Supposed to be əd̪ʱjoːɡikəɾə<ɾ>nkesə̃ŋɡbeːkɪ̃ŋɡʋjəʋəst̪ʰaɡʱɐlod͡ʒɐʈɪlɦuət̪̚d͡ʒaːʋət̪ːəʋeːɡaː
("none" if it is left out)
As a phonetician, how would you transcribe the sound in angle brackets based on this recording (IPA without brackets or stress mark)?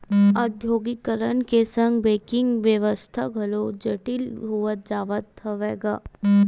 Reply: none